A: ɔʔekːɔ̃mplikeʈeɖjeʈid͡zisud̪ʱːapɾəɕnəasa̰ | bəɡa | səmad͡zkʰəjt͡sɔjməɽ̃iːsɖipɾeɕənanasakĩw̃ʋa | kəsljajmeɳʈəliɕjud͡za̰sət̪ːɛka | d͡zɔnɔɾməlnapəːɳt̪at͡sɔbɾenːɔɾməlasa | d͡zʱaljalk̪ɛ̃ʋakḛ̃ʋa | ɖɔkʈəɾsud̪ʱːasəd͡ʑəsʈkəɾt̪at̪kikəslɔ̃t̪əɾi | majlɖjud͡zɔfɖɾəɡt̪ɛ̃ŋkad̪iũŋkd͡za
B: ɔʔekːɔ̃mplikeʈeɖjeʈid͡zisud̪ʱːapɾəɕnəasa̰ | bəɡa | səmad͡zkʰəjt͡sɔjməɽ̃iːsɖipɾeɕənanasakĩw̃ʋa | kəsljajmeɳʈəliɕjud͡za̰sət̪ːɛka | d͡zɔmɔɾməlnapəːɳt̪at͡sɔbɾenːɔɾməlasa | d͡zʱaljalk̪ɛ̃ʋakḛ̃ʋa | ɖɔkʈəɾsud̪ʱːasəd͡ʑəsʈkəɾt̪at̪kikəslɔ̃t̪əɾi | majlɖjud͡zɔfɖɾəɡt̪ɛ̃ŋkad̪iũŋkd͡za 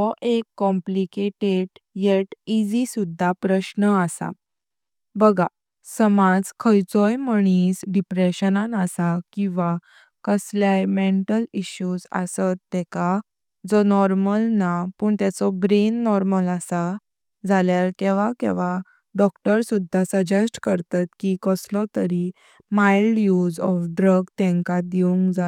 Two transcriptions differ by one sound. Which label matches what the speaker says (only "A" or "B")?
A